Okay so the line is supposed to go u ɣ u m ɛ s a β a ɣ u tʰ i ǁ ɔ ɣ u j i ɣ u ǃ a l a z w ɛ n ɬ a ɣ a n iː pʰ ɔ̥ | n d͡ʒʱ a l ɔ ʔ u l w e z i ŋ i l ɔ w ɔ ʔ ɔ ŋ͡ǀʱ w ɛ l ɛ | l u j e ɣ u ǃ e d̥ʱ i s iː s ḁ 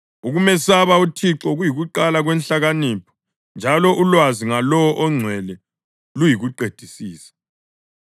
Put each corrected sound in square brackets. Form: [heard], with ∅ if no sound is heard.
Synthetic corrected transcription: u ɣ u m ɛ s a β a [∅] u tʰ i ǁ ɔ ɣ u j i ɣ u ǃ a l a [ɣ] w ɛ n ɬ a ɣ a n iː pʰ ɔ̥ | n d͡ʒʱ a l ɔ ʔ u l w [a] z i ŋ [a] l ɔ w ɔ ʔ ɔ ŋ͡ǀʱ w ɛ l ɛ | l u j [i] ɣ u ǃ e d̥ʱ i s iː s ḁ